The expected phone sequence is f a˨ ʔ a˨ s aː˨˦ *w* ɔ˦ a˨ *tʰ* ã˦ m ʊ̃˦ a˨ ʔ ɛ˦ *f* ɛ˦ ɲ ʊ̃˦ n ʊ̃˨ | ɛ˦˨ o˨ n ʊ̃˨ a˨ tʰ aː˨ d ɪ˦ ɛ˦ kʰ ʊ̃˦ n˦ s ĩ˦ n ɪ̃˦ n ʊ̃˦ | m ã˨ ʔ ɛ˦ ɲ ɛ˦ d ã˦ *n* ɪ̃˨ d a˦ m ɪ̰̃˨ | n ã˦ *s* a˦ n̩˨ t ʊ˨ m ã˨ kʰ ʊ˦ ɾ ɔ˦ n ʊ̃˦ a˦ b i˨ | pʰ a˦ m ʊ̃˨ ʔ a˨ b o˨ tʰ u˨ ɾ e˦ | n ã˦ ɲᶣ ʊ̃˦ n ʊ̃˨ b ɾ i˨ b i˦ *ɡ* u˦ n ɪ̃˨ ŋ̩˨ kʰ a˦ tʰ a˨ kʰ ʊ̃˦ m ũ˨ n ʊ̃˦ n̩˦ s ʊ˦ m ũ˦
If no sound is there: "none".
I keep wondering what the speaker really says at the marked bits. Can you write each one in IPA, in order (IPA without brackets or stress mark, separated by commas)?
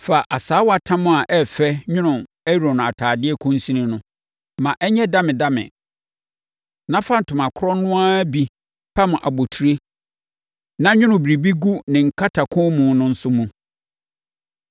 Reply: w, tʰ, f, m, f, ɡ